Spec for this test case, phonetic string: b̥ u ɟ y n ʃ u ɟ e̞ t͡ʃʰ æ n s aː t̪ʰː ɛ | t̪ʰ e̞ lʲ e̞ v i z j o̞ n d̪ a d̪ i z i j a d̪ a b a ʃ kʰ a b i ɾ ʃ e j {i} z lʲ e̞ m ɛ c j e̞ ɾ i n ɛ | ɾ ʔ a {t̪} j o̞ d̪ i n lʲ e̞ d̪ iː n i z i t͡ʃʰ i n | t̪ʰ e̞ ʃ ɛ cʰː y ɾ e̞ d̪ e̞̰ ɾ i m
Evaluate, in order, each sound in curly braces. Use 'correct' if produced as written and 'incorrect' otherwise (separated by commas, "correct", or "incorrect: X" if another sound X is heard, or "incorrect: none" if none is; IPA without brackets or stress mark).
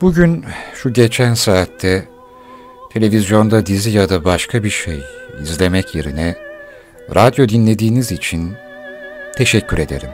correct, incorrect: d̪